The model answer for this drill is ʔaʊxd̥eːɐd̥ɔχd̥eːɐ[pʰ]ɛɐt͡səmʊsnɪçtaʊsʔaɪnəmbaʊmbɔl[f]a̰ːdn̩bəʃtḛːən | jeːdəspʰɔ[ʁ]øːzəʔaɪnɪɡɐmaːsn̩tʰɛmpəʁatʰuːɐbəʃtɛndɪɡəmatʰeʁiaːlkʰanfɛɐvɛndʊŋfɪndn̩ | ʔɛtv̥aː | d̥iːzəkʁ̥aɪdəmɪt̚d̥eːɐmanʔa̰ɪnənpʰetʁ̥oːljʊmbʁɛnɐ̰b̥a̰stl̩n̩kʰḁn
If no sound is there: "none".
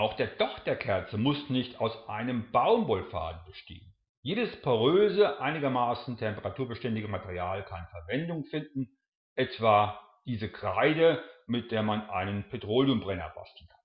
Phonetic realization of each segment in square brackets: kʰ, f, ʁ

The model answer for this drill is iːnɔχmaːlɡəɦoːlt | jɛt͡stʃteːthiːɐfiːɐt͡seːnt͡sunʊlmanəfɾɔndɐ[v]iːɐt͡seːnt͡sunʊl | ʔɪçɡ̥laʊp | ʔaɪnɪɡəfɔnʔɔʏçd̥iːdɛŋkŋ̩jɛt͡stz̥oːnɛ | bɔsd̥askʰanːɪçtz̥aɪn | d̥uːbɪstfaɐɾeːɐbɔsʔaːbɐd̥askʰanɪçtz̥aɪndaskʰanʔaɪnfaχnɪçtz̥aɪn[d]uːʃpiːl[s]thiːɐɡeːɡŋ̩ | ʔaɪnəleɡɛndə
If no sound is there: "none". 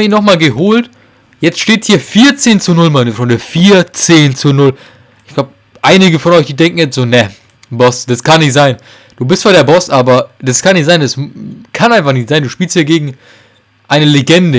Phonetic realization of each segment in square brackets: f, d, s

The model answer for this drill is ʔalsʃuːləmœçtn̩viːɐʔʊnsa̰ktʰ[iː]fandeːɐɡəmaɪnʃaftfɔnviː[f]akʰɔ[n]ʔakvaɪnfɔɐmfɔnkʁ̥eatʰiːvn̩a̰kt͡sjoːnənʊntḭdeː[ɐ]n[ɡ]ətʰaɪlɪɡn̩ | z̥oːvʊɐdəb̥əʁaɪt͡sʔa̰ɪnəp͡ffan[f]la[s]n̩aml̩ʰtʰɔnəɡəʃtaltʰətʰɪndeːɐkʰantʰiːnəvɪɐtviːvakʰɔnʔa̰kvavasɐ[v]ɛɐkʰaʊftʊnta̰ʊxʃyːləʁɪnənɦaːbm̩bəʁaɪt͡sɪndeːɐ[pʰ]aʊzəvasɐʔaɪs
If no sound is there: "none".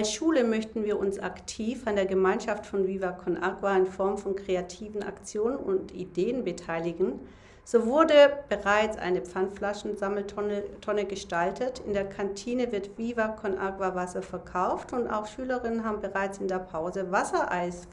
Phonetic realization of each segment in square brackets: iː, v, n, ə, b, f, ʃ, f, pʰ

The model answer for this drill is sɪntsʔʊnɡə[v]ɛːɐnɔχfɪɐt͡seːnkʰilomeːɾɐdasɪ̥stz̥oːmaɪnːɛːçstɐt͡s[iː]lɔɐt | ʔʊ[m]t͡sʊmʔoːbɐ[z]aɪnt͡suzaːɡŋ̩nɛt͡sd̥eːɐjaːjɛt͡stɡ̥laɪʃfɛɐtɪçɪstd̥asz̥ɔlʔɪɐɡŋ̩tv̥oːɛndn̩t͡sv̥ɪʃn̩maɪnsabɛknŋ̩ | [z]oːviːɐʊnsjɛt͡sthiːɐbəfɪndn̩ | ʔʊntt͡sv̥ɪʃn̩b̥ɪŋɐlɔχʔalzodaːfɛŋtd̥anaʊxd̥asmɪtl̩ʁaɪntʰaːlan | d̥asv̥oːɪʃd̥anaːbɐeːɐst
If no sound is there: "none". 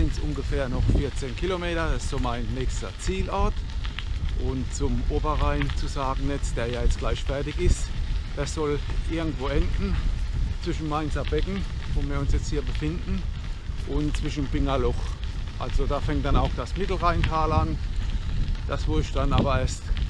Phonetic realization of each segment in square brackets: f, iː, n, ʁ, v

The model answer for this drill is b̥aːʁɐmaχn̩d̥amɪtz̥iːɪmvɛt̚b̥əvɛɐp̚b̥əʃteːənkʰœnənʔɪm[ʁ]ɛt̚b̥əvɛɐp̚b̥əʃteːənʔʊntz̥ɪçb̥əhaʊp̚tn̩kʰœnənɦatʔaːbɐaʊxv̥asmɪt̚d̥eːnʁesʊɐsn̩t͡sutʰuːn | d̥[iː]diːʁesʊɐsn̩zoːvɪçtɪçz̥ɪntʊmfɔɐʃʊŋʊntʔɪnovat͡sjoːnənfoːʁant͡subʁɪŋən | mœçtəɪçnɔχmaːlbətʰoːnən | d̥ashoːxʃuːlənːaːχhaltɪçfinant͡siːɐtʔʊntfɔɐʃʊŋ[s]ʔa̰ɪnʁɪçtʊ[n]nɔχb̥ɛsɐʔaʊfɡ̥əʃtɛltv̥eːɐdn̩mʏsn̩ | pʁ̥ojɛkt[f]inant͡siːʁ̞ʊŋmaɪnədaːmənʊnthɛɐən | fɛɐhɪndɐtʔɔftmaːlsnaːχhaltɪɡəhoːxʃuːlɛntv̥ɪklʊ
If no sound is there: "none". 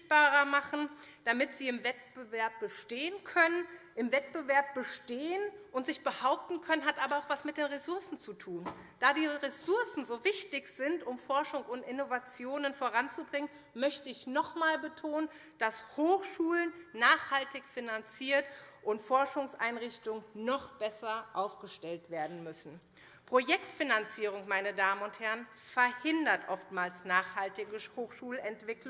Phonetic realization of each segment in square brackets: v, aː, s, ŋ, f

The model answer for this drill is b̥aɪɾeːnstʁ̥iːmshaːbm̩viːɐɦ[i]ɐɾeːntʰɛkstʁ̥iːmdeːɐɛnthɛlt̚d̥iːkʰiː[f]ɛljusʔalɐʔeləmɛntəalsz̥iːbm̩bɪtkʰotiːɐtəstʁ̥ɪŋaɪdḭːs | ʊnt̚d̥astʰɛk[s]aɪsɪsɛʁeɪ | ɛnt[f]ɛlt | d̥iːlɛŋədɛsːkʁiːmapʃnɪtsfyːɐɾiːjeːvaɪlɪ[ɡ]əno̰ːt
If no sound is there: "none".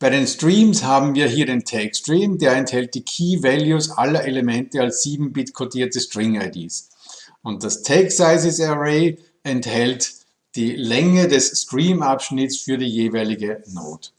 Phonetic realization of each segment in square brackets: iː, v, s, h, ɡ

